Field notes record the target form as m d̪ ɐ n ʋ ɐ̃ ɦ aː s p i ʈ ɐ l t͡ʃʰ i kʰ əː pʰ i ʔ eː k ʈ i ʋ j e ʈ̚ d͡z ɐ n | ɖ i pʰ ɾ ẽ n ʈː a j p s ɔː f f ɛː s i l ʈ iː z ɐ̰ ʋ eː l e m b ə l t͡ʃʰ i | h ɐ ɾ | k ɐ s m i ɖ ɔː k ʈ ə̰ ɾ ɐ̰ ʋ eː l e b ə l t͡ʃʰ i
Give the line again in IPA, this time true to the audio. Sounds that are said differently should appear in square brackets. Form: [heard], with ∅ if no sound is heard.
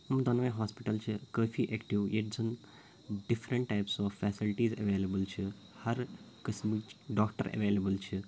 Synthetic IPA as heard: m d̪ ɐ n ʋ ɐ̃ ɦ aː s p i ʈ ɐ l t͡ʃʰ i [k] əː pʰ i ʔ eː k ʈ i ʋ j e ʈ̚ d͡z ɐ n | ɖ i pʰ ɾ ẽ [ɳ] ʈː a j p s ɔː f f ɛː s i l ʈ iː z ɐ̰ ʋ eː l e [∅] b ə l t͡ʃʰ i | h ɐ ɾ | k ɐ s m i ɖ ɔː k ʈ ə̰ ɾ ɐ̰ ʋ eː l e b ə l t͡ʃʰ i